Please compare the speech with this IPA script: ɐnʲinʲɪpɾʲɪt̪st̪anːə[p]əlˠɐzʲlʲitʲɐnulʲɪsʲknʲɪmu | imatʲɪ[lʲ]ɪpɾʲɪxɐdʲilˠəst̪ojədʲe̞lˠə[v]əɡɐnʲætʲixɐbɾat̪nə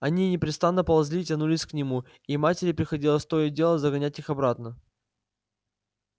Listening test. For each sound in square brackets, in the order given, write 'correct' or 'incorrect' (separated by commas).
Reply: correct, incorrect, incorrect